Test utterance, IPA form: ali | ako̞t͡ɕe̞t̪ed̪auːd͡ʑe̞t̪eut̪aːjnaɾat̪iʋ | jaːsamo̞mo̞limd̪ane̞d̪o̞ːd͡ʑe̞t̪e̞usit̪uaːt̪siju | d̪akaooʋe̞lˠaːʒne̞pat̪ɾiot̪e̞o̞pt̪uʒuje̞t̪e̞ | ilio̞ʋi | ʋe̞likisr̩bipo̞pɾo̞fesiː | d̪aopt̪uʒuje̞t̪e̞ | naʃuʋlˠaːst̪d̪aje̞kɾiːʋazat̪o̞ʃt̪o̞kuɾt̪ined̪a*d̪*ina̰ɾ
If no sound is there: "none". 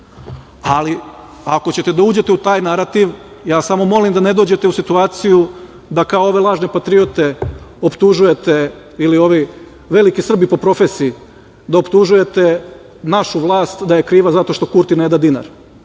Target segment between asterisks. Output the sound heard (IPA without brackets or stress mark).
d̪